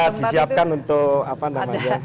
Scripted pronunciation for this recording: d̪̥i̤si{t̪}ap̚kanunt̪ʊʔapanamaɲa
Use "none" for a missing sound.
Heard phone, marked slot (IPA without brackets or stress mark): none